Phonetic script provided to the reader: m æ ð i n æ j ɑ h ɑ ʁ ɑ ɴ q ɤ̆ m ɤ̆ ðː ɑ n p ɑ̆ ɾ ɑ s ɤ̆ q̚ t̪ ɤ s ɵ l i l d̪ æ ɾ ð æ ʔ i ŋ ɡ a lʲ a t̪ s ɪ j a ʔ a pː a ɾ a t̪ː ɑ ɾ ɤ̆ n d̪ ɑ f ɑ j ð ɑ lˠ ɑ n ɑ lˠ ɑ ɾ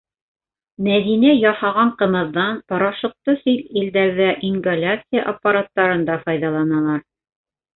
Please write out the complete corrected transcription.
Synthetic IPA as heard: m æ ð i n æ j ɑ h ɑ ʁ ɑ ɴ q ɤ̆ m ɤ̆ ðː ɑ n p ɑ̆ ɾ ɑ ʃ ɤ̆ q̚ t̪ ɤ s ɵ l i l d̪ æ ɾ ð æ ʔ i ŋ ɡ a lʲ a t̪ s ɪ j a ʔ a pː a ɾ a t̪ː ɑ ɾ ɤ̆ n d̪ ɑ f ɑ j ð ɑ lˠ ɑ n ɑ lˠ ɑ ɾ